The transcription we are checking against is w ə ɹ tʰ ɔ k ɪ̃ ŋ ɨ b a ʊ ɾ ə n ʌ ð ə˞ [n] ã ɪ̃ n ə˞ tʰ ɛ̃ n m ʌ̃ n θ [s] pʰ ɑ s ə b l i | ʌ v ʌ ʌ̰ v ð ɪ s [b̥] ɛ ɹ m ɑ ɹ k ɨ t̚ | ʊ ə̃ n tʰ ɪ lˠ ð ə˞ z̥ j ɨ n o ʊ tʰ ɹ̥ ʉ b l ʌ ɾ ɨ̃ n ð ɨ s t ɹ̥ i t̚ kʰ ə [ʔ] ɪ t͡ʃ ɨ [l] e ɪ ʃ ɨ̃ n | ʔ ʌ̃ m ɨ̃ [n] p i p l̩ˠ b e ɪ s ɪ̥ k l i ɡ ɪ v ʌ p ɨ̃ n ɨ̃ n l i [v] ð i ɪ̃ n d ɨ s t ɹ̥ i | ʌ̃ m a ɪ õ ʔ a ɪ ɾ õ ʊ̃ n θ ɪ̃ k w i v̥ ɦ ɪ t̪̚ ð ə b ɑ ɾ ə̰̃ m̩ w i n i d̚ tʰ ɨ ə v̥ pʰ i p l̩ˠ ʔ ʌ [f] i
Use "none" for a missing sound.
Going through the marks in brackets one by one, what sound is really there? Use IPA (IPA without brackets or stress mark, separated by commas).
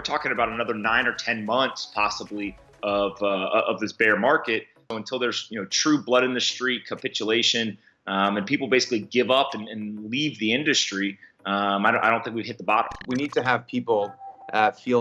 n, s, b̥, p, l, n, v, f